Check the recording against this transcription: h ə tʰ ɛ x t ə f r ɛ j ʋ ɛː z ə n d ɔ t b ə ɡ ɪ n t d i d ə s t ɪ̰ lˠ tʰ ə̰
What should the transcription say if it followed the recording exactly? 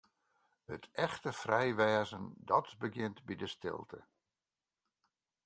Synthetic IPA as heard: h ə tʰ ɛ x t ə f r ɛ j ʋ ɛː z ə n d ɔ t b ə ɡ ɪ n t b i d ə s t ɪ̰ lˠ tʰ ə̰